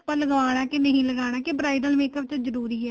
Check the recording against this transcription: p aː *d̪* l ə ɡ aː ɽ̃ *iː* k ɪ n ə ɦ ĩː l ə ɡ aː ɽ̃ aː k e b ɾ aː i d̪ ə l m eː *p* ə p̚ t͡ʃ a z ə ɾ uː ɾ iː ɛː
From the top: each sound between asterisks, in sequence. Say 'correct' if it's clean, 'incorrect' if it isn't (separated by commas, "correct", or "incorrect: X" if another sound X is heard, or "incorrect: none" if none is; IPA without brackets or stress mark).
incorrect: none, incorrect: aː, incorrect: k